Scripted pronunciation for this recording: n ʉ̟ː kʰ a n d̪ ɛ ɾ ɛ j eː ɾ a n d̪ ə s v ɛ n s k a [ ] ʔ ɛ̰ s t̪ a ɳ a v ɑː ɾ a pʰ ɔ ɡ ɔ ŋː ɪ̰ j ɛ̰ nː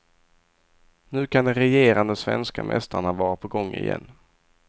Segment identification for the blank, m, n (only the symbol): m